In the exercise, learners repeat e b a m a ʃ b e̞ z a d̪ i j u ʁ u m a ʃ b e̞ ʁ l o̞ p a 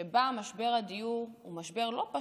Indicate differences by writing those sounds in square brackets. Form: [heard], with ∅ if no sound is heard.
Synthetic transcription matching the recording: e b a m a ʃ b e̞ [ʁ] a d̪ i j u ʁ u m a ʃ b e̞ ʁ l o̞ p a